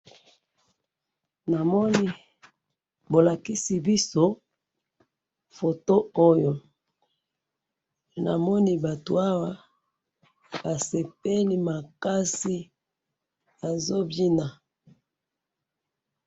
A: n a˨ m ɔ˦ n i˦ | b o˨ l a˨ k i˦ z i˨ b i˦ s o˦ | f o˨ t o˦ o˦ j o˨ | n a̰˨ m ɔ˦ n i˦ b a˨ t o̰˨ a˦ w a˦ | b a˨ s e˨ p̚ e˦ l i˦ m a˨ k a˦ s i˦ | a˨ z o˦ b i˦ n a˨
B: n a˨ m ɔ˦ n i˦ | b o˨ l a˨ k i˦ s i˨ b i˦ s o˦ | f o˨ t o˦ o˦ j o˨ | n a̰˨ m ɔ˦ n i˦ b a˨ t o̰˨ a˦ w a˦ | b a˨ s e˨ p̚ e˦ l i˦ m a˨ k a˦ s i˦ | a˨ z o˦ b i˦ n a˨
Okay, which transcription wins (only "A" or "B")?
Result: B